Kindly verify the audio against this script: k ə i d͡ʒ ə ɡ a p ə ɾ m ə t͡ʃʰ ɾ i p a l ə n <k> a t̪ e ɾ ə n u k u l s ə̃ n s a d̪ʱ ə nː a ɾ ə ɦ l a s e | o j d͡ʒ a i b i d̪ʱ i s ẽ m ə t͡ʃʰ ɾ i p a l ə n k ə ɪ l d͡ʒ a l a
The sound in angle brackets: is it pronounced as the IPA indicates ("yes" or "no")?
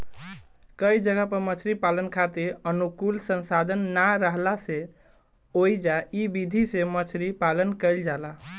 no